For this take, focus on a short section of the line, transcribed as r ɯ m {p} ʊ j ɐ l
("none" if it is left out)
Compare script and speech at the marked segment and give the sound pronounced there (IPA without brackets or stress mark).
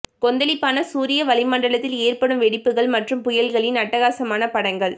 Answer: p